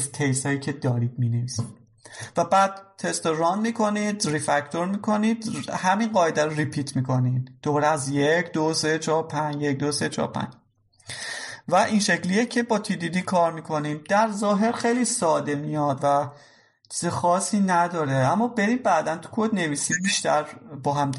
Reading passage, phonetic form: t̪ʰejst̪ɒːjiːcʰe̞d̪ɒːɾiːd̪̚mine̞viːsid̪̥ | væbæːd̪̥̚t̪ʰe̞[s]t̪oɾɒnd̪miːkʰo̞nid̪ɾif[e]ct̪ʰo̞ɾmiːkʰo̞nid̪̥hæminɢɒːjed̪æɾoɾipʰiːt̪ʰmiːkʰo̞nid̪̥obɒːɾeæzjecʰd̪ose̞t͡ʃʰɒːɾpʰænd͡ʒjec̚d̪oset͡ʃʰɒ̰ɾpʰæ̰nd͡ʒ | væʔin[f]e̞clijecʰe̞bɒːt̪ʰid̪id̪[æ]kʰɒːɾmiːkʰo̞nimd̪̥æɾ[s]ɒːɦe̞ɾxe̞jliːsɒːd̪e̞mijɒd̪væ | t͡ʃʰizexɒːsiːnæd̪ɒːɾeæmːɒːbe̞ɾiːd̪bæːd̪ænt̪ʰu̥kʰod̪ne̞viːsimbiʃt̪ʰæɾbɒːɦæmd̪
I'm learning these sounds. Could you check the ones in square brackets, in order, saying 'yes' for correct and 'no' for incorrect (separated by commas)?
yes, no, no, no, no